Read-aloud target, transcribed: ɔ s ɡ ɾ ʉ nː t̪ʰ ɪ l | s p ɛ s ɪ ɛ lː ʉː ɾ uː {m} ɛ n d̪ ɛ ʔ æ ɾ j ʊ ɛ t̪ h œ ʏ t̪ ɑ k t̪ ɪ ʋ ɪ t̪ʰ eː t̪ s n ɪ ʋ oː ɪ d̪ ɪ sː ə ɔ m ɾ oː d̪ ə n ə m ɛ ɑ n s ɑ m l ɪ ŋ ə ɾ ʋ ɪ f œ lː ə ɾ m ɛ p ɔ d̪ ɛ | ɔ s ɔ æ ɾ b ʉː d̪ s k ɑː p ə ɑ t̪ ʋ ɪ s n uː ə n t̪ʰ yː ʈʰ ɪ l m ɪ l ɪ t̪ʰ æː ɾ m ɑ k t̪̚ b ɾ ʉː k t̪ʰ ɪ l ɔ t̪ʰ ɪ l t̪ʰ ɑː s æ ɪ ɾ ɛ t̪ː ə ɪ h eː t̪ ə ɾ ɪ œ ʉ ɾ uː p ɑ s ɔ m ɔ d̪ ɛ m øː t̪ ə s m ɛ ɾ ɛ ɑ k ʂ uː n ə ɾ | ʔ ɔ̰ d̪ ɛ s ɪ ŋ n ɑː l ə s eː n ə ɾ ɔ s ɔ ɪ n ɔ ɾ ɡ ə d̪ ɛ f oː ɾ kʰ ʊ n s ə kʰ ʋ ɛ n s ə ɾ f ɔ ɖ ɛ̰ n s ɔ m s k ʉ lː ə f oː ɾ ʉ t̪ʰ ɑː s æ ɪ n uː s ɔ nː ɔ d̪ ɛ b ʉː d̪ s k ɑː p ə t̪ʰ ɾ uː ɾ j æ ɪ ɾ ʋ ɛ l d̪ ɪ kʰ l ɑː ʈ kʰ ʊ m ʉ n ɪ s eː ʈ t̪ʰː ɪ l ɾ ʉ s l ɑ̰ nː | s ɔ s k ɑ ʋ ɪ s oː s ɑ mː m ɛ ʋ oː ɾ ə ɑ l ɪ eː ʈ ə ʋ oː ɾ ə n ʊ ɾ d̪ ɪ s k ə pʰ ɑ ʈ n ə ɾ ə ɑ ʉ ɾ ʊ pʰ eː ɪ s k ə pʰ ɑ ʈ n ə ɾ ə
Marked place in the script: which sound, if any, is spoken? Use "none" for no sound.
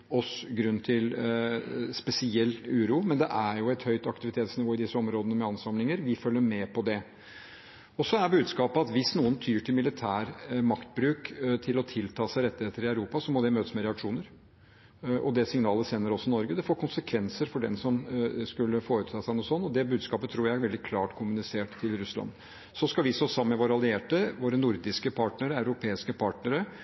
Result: m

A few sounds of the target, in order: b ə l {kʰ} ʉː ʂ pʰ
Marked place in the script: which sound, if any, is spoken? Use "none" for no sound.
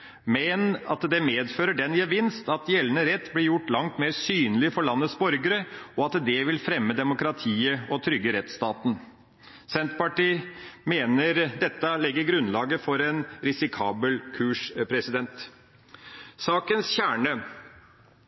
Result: kʰ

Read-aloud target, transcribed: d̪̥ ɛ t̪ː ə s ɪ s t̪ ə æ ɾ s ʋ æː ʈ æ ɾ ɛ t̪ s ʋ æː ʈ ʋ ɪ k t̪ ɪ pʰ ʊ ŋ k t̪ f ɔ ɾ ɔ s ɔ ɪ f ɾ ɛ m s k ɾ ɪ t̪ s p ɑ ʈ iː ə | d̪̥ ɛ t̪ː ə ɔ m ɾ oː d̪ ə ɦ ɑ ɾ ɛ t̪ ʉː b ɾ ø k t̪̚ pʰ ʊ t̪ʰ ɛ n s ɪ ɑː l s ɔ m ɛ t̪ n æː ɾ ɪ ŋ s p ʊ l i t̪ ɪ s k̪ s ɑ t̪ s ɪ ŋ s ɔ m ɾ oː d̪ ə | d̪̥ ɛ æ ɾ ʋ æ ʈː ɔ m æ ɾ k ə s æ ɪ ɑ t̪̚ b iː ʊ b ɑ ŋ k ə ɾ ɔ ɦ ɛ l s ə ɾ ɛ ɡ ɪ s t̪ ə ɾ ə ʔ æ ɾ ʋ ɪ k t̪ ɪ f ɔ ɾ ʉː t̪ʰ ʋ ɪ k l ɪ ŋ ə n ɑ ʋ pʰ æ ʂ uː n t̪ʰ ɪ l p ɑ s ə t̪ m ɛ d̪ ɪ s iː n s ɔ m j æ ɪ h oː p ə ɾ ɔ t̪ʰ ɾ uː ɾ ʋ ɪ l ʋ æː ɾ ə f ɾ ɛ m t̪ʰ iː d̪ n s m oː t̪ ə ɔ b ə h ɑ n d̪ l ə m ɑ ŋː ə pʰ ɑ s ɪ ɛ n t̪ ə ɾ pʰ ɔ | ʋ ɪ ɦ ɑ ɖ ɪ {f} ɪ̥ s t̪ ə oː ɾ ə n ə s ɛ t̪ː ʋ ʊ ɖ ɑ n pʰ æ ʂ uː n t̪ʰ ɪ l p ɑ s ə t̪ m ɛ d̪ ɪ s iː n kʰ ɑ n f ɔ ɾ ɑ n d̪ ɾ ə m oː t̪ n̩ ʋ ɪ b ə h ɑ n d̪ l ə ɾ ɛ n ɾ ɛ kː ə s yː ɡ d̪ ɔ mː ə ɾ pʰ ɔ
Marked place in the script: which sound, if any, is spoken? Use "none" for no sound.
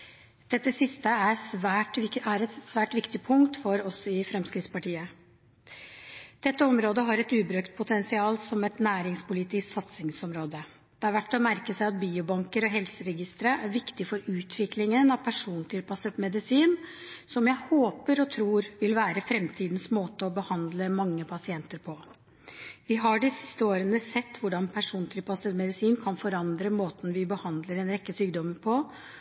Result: s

